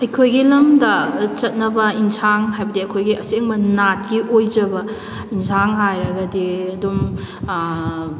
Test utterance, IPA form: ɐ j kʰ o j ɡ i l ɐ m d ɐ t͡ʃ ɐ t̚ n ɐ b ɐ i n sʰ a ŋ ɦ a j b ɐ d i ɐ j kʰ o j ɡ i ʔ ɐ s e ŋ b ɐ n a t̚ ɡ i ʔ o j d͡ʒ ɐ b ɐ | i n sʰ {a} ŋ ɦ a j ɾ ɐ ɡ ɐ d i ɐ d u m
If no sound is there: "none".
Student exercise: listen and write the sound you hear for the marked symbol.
a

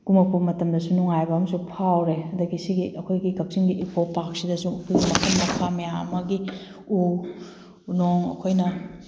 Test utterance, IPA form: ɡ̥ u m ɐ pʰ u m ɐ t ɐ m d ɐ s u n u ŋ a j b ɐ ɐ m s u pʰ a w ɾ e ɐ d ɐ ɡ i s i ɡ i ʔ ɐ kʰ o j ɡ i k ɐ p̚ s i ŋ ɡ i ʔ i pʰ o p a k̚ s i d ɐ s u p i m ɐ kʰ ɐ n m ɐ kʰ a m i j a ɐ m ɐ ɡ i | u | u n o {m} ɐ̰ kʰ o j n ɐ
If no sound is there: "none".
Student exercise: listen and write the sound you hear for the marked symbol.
ŋ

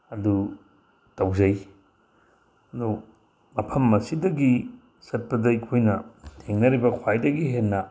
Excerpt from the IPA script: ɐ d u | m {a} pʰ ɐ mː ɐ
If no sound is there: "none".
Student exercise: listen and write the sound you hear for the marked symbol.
ɐ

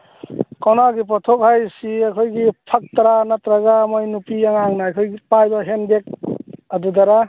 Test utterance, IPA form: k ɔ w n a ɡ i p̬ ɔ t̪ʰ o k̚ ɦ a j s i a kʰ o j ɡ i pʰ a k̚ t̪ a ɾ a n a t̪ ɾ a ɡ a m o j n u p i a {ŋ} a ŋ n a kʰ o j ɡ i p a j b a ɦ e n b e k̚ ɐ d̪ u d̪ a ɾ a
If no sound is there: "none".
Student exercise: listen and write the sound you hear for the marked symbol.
ŋ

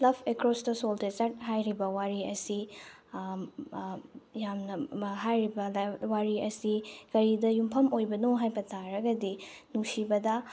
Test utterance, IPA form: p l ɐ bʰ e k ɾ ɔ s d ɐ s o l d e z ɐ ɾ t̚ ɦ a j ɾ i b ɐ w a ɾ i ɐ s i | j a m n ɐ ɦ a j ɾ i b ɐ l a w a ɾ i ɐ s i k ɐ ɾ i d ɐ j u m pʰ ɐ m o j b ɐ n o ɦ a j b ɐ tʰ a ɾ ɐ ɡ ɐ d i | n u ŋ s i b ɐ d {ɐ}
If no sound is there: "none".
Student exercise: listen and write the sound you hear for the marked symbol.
ɐ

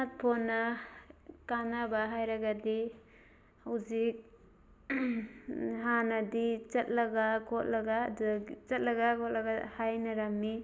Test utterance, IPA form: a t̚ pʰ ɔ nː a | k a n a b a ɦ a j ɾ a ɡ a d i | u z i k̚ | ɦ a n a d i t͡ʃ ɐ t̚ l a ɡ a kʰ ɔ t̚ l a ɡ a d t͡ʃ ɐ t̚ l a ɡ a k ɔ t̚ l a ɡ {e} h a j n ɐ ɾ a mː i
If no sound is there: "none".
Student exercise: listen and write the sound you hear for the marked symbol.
a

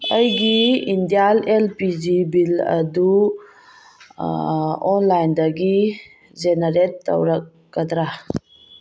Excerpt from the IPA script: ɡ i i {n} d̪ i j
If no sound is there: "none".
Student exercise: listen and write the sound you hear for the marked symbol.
n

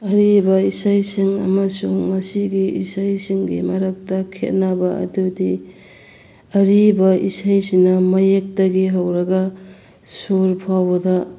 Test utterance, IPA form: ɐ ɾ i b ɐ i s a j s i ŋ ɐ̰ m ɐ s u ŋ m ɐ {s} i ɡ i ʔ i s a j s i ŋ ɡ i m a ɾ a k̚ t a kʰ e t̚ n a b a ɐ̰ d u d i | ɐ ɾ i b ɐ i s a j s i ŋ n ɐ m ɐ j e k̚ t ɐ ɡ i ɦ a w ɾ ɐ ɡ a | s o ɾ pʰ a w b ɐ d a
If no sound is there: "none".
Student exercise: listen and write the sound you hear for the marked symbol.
s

